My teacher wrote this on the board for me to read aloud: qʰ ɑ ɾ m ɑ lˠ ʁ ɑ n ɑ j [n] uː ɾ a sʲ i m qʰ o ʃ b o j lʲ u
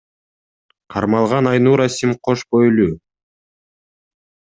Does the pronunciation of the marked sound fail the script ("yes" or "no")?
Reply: no